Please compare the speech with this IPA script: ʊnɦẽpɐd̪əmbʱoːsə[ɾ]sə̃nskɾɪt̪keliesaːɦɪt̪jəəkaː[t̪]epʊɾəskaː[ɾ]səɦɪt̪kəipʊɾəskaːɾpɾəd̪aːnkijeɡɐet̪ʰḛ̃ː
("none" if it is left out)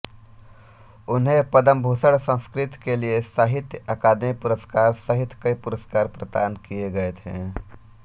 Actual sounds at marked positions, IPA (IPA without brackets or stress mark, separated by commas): ɽ, d̪, ɾ